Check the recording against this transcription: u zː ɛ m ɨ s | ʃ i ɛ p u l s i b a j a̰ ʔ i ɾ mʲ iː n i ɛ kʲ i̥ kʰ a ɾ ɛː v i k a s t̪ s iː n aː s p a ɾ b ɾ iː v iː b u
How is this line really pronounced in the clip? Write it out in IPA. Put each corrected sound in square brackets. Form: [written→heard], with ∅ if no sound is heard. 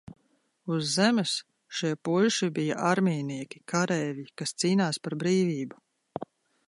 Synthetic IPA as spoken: u zː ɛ m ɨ s | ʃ i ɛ p u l [s→ʃ] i b [a→i] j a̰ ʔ [i→a] ɾ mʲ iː n i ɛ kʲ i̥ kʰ a ɾ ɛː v i k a s t̪ s iː n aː s p a ɾ b ɾ iː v iː b u